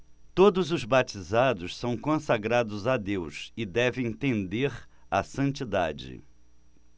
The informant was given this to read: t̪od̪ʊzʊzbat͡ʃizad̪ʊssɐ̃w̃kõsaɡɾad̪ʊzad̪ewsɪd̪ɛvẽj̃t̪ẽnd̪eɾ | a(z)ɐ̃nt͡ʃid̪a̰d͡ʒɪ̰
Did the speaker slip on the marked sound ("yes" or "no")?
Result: yes